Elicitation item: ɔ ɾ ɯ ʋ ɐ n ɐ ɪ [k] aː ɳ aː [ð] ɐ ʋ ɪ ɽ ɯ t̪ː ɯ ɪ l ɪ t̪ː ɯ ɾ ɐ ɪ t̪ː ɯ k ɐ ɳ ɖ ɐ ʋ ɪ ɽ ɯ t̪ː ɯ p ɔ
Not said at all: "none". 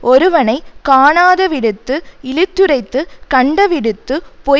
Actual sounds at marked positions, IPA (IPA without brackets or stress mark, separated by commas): k, ð